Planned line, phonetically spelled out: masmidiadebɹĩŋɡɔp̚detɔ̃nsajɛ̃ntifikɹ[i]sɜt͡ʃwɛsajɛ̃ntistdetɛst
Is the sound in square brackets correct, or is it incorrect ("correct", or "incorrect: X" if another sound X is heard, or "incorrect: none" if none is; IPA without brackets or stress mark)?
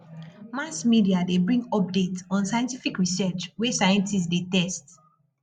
correct